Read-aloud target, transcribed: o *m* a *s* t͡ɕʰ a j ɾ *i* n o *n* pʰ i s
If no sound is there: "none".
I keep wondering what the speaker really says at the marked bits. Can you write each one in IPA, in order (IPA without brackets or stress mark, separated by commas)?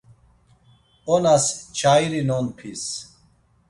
n, s, i, n